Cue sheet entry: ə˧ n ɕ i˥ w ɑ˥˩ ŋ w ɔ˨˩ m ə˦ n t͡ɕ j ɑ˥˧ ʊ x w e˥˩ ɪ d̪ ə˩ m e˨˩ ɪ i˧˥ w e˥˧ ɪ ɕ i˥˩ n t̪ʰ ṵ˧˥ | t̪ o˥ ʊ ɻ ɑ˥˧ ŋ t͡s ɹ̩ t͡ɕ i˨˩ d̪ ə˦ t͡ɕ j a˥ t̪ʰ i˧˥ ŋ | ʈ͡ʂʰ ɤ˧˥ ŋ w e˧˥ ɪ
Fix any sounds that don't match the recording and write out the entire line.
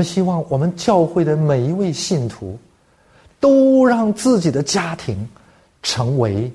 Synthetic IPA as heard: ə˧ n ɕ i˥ w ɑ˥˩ ŋ w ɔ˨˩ m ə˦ n t͡ɕ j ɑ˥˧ ʊ x w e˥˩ ɪ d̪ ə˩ m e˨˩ ɪ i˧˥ w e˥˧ ɪ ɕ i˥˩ n t̪ʰ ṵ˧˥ | t̪ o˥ ʊ ɻ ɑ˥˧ ŋ t͡s ɹ̩ t͡ɕ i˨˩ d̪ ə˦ t͡ɕ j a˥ t̪ʰ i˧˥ ŋ | ʈ͡ʂʰ ɤ˧˥ ŋ w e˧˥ ɪ